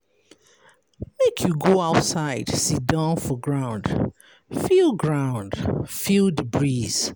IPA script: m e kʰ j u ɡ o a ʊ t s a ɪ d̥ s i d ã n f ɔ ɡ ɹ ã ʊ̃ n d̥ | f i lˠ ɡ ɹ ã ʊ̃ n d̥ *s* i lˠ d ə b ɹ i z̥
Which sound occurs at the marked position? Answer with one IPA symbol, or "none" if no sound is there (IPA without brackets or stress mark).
f